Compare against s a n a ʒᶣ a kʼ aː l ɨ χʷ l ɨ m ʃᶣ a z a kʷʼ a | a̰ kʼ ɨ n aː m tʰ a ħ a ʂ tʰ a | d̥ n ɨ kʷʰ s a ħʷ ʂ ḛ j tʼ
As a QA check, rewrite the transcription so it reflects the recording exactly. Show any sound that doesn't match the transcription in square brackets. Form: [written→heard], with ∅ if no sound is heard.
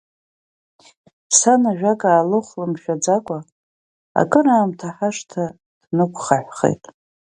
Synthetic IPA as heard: s a n a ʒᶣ a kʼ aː l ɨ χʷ l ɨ m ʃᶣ a [z→d͡z] a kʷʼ a | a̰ kʼ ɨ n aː m tʰ a ħ a ʂ tʰ a | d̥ n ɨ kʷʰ [s→χ] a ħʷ [ʂ→χ] ḛ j tʼ